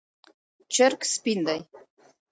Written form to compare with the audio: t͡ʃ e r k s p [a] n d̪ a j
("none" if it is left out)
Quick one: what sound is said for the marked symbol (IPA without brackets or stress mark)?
i